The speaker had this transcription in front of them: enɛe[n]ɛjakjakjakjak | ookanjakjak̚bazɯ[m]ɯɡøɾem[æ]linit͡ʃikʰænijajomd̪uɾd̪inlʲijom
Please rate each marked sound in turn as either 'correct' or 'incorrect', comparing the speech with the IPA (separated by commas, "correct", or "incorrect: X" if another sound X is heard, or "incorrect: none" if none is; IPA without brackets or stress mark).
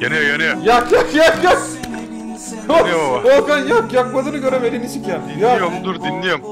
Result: correct, incorrect: n, incorrect: e